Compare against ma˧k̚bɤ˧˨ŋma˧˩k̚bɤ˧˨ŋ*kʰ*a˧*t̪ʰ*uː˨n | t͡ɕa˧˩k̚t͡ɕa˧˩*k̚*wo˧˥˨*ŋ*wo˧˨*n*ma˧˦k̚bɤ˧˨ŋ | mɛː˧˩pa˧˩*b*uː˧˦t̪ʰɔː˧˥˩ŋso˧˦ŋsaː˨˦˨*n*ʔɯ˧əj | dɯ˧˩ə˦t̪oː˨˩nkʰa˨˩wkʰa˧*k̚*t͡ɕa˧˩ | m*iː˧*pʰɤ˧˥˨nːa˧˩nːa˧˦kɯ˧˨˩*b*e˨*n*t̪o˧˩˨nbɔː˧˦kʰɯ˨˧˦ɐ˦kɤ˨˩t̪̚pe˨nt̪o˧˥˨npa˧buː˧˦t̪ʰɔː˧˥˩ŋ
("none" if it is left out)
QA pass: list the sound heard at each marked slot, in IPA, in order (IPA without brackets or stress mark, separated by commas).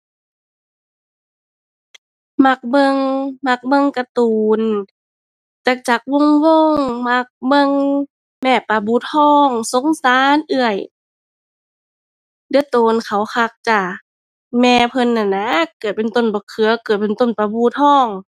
k, t̪, k̚, ŋ, ŋ, b, n, k̚, ɛː˧, p, n